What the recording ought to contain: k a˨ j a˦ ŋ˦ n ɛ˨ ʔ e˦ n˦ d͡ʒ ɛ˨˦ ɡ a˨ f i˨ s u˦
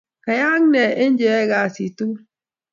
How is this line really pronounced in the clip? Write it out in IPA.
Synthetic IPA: k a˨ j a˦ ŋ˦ n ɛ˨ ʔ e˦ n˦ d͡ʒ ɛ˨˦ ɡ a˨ s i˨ t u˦